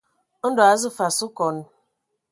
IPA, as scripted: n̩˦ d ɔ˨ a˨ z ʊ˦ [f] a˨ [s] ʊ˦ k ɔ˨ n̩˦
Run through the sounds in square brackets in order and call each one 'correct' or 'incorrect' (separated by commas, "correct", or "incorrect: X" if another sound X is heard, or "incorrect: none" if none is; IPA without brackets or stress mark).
correct, correct